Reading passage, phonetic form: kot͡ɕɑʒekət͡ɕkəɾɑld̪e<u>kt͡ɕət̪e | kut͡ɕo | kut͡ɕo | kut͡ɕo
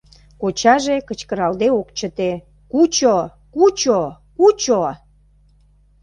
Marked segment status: incorrect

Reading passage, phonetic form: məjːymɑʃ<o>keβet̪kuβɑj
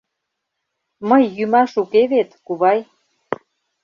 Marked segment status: incorrect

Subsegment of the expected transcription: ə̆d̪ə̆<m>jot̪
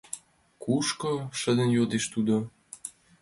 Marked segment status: incorrect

